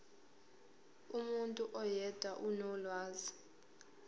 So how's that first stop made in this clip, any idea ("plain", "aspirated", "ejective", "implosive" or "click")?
ejective